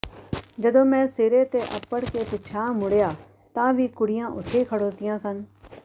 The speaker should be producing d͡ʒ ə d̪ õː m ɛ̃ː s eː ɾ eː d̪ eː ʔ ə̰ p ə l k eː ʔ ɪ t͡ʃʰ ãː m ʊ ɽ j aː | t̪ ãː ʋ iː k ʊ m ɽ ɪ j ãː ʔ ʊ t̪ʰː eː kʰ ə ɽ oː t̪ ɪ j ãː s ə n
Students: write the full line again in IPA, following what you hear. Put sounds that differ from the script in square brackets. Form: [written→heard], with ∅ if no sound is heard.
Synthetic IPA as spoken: d͡ʒ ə d̪ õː m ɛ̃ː s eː ɾ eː [d̪→t̪] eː ʔ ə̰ p ə [l→ɽ] k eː [ʔ→p] ɪ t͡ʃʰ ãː m ʊ ɽ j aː | t̪ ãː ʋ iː k ʊ [m→∅] ɽ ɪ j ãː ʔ ʊ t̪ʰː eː kʰ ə ɽ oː t̪ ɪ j ãː s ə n